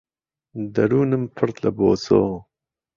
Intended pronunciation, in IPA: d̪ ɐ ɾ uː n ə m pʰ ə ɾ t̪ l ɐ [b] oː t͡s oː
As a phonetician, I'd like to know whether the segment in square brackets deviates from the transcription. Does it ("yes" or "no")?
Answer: no